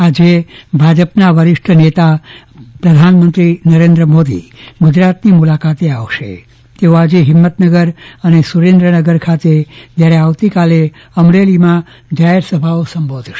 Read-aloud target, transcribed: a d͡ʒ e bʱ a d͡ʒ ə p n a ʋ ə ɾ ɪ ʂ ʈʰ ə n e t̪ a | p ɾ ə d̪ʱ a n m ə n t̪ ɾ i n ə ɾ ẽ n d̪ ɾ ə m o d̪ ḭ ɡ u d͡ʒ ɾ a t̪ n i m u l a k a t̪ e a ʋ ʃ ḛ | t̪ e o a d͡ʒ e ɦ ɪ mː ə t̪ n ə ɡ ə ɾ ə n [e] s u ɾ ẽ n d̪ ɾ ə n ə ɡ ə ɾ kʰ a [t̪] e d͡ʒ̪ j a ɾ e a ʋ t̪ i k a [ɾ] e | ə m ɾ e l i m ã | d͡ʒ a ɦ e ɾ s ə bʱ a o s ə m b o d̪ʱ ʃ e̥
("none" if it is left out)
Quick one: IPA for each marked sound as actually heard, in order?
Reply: e, t̪, l

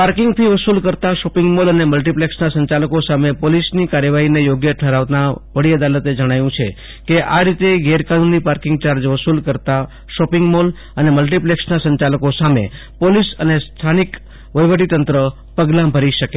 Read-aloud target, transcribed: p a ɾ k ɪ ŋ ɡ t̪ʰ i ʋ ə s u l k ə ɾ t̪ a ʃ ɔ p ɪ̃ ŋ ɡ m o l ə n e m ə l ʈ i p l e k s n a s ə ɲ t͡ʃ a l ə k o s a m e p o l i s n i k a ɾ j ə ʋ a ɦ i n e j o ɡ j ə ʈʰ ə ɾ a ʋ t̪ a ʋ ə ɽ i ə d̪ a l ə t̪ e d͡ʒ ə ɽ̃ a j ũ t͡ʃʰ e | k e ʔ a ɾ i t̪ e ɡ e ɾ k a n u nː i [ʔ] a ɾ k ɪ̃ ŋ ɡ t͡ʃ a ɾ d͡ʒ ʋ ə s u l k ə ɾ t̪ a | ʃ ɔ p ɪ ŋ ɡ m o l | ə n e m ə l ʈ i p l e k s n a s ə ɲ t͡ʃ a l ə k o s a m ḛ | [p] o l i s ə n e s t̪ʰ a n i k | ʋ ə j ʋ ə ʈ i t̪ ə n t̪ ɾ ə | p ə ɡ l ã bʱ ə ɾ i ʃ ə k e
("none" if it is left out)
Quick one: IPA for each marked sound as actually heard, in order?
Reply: p, p

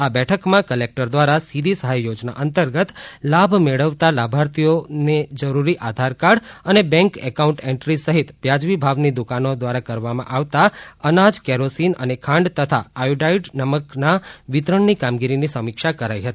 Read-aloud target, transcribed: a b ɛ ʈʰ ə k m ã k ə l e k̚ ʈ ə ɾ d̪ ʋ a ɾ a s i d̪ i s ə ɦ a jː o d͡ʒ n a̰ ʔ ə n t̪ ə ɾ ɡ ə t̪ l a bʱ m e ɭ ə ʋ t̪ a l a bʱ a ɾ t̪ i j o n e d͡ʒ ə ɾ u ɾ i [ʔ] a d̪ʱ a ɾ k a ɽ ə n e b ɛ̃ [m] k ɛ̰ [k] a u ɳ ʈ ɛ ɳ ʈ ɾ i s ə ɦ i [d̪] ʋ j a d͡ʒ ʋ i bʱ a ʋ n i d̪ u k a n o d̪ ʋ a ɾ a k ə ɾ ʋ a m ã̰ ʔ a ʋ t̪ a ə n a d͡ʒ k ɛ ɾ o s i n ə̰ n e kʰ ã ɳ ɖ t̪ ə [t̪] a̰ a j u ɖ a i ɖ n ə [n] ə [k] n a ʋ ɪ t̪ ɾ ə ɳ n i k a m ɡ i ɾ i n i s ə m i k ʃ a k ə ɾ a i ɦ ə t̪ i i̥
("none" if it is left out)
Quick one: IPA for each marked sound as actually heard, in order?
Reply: ʔ, ŋ, k, t̪, t̪ʰ, m, k

